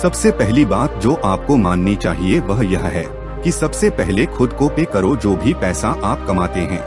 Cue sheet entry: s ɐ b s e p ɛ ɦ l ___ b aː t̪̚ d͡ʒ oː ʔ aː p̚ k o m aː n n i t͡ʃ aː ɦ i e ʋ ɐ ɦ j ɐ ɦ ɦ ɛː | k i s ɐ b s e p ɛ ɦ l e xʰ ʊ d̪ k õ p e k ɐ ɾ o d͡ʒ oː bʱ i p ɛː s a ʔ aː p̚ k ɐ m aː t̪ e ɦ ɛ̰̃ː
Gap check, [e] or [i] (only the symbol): i